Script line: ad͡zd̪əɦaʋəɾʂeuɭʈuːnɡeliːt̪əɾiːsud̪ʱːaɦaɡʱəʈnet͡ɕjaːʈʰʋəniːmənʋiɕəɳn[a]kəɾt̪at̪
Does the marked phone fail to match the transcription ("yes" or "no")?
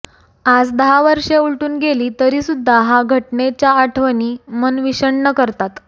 yes